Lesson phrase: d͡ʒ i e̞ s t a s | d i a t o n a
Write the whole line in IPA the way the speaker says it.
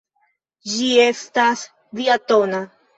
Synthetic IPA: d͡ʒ i e̞ s t a s | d i a t o n a